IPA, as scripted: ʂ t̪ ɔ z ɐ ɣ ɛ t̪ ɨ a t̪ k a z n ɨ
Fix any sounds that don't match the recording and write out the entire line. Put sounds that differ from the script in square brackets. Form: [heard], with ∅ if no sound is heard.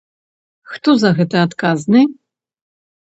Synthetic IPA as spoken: [x] t̪ ɔ z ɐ ɣ ɛ t̪ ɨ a t̪ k a z n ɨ